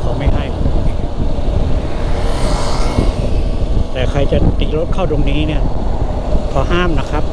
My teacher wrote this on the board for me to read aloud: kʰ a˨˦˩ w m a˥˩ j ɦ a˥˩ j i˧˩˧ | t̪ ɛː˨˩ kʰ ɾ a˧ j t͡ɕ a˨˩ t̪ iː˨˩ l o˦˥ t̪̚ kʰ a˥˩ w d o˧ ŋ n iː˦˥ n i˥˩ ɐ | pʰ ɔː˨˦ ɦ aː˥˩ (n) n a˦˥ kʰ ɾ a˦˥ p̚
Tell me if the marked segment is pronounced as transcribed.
no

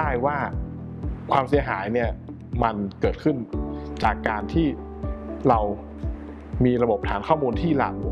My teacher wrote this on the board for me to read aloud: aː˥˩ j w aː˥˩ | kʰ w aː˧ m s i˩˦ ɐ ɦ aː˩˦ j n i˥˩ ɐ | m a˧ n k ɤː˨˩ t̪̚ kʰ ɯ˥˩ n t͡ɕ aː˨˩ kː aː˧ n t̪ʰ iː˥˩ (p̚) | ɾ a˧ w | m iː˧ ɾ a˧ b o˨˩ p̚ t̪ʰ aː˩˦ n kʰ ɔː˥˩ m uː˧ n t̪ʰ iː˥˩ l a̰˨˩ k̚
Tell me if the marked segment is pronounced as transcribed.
no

